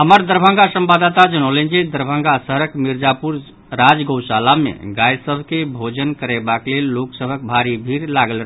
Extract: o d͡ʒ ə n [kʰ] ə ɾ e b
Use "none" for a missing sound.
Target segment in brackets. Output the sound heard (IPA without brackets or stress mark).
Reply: k